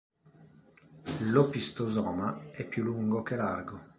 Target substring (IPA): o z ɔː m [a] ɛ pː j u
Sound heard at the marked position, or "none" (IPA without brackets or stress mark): a